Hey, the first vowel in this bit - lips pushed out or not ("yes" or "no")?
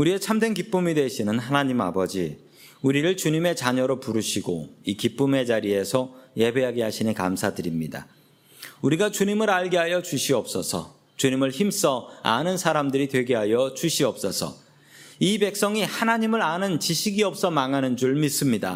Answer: yes